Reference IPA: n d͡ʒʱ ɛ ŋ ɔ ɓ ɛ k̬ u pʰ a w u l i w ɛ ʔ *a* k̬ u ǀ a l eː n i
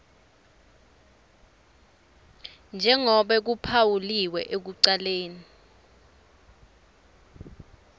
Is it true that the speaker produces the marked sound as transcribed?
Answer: no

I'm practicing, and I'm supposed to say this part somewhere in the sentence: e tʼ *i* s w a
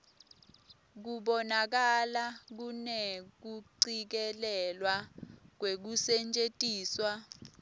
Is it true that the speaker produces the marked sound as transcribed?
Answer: no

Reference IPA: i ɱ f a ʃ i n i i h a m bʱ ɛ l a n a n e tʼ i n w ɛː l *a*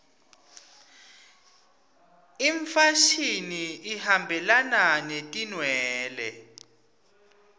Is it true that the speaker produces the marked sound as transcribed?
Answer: no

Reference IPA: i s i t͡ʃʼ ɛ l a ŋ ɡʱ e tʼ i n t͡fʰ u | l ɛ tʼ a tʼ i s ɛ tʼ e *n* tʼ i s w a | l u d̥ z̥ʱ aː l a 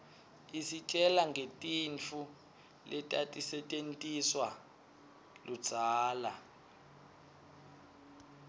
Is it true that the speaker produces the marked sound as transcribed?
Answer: yes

